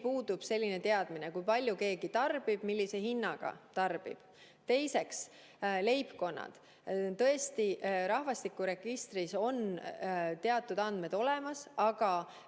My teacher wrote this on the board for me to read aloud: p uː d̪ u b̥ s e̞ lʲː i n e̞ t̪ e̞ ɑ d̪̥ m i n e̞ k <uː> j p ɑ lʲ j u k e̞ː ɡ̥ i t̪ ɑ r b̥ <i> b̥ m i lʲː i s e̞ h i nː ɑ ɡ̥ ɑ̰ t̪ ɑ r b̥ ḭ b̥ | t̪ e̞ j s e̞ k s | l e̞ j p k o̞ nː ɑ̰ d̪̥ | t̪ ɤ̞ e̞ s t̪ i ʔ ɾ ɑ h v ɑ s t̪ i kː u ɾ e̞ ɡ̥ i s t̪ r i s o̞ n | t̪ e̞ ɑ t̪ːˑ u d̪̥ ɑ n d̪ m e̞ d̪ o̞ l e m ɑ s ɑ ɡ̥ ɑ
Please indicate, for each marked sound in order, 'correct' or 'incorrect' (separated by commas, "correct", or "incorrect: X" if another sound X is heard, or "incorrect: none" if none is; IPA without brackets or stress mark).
incorrect: u, correct